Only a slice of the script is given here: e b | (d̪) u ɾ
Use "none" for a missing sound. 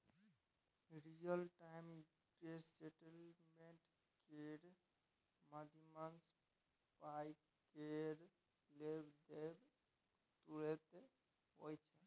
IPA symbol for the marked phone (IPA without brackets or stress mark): t̪